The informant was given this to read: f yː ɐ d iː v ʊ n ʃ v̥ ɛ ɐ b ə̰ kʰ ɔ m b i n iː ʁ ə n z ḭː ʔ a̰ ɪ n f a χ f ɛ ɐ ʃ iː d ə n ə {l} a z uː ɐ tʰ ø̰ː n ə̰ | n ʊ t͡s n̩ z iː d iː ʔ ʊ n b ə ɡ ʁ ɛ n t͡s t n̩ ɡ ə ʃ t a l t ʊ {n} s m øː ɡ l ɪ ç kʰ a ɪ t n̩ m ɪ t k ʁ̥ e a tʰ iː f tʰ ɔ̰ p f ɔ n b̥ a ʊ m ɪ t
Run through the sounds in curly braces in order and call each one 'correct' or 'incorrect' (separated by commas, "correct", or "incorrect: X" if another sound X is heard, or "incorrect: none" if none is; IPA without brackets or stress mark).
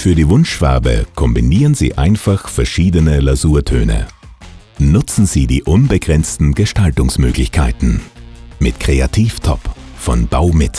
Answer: correct, incorrect: ŋ